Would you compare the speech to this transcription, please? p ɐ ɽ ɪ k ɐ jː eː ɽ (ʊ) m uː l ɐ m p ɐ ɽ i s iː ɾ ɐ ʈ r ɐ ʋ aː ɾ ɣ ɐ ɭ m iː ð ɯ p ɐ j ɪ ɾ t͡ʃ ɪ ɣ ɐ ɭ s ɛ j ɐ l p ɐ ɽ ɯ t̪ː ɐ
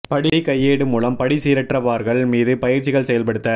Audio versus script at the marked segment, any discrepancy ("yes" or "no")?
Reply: yes